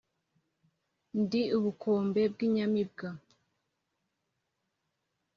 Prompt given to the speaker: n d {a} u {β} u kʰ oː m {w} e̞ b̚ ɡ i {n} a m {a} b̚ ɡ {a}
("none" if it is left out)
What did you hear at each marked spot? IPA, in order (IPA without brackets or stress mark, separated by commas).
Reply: i, β, b, ɲ, i, a